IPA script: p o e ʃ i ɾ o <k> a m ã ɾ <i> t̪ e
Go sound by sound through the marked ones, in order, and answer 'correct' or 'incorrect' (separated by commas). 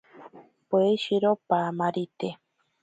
incorrect, correct